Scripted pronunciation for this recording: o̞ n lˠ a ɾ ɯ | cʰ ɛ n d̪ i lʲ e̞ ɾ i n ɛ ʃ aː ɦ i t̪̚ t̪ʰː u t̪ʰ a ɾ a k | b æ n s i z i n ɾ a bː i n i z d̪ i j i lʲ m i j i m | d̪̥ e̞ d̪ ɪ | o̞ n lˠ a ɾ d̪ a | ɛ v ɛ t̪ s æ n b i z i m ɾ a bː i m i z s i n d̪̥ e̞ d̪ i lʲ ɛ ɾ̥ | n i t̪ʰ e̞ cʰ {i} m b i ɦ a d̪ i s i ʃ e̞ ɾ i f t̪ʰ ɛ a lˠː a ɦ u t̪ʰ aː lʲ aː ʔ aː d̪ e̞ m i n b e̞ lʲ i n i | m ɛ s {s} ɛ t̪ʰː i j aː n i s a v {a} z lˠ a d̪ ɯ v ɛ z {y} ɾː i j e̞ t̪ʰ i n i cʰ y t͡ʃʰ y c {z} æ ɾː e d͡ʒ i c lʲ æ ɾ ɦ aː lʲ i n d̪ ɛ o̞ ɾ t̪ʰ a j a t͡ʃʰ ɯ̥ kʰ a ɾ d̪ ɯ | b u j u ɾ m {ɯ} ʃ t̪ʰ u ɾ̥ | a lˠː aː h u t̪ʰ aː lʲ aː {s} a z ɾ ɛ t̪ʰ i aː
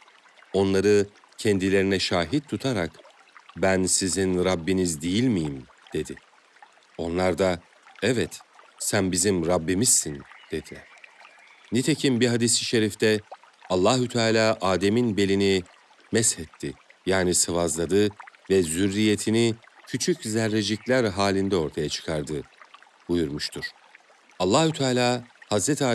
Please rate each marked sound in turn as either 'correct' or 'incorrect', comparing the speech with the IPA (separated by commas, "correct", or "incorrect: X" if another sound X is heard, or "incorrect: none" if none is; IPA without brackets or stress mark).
correct, incorrect: h, correct, correct, correct, incorrect: u, incorrect: h